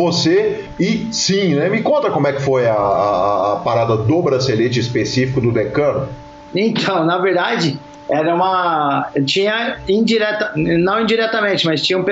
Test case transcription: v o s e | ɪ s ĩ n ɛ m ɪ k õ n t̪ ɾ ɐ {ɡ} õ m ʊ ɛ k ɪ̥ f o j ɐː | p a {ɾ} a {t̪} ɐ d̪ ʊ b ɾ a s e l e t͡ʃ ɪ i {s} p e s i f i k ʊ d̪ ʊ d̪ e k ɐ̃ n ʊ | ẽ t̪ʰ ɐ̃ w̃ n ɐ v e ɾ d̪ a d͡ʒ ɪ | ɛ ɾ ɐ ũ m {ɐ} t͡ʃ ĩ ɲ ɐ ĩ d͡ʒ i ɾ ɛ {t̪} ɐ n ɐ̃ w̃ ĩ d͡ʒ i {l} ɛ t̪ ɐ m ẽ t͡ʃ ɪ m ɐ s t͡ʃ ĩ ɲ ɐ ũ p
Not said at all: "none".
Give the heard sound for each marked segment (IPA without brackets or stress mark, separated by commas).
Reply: k, ɾ, d̪, s, ɐ, t̪, ɾ